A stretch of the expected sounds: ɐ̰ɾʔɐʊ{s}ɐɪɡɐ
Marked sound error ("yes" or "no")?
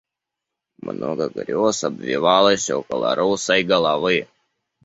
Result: no